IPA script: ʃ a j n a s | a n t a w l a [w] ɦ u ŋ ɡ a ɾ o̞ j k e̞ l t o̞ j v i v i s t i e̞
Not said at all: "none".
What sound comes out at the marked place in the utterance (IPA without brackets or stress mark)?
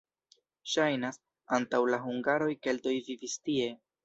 none